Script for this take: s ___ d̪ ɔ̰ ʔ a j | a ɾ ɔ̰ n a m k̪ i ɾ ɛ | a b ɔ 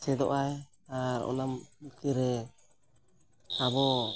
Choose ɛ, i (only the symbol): ɛ